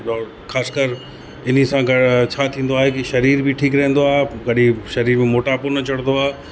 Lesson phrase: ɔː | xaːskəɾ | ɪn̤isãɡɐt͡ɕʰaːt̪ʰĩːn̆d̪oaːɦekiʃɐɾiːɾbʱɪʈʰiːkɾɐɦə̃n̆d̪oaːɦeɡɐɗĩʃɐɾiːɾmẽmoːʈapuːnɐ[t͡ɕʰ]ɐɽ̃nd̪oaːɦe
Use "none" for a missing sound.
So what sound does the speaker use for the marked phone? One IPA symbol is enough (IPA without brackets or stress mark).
t͡ɕ